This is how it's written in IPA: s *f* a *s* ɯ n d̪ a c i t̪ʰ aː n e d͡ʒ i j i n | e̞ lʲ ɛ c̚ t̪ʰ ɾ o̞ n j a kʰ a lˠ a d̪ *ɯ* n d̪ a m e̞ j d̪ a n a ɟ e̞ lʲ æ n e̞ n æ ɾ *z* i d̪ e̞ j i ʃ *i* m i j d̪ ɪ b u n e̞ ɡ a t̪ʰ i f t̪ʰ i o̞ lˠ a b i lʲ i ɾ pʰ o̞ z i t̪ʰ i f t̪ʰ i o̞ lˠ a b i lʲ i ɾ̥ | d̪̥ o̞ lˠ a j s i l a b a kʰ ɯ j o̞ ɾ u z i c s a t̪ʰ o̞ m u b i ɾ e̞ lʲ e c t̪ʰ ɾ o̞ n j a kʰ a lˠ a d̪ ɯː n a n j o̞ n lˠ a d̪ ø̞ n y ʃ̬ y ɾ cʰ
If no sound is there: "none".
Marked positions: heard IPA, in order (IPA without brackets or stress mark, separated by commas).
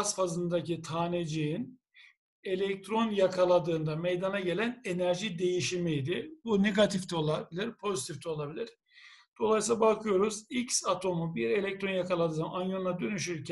f, z, ɯː, ʒ, i